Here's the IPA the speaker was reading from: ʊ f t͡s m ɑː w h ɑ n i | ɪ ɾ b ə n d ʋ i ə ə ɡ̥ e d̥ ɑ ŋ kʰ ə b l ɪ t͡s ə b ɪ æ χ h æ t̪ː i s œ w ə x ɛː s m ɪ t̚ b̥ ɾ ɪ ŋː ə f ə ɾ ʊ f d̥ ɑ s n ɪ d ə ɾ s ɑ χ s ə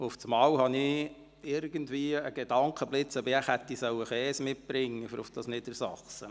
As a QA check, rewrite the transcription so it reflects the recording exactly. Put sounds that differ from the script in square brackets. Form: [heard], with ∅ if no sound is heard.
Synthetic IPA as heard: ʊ f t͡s m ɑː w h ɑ n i | ɪ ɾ [ɡ] ə n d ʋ i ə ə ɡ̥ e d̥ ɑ ŋ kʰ ə b l ɪ t͡s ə b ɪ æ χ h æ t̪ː i s œ w ə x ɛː s m ɪ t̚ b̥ ɾ ɪ ŋː ə f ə ɾ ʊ f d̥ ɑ s n ɪ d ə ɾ s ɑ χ s ə